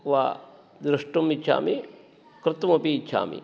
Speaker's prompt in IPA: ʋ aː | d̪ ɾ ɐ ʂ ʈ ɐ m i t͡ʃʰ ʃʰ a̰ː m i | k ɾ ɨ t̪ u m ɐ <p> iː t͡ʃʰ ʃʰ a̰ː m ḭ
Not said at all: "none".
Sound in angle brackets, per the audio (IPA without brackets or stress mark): p